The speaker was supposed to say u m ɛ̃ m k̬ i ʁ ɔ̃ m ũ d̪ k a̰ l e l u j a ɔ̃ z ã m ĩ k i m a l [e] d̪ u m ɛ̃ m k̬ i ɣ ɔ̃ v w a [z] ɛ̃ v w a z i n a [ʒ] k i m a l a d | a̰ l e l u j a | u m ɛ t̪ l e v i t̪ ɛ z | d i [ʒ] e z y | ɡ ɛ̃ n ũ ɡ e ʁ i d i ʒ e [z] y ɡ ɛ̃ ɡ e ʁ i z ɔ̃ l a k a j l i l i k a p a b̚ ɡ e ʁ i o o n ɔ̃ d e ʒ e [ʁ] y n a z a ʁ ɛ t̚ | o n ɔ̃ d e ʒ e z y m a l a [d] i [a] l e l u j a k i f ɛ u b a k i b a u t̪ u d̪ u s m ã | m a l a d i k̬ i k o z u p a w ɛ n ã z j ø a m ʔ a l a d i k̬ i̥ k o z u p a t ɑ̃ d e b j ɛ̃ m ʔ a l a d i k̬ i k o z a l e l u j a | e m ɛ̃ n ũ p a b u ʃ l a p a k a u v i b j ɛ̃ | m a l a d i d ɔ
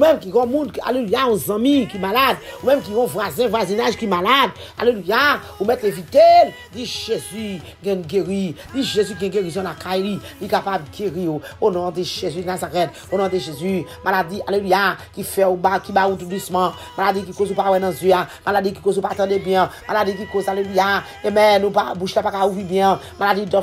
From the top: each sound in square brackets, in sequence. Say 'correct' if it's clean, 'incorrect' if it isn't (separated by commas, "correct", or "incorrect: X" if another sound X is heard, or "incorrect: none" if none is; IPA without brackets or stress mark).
incorrect: a, correct, correct, correct, correct, incorrect: z, correct, correct